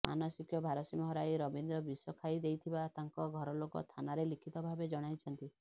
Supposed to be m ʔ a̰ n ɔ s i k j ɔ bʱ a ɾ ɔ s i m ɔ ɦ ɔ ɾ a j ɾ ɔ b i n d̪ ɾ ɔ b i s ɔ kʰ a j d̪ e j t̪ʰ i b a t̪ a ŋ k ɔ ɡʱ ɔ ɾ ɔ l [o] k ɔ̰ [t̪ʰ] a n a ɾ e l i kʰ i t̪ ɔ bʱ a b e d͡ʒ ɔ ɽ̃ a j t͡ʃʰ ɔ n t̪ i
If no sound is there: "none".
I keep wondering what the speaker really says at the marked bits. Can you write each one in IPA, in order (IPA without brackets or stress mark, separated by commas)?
o, t̪ʰ